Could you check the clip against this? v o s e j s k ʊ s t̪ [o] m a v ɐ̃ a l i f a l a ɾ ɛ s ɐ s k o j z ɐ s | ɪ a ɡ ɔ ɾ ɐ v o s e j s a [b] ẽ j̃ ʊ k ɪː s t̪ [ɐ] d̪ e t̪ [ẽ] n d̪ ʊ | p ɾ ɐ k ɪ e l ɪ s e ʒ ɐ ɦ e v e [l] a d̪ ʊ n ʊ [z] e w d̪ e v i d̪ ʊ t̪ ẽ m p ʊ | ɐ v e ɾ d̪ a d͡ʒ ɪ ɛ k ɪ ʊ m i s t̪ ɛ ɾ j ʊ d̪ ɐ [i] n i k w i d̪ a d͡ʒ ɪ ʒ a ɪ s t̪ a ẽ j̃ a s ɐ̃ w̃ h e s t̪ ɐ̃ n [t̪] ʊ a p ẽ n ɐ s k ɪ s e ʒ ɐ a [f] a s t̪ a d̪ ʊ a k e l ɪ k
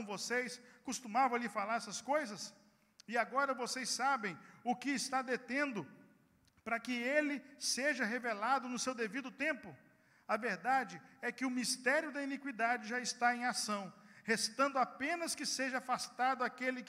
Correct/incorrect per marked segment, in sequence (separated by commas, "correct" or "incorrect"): incorrect, correct, incorrect, correct, correct, incorrect, correct, incorrect, correct